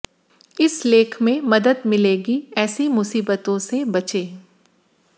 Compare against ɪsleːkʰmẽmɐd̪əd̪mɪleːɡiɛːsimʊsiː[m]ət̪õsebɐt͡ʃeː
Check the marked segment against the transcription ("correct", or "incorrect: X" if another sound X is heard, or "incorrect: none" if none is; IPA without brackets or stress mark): incorrect: b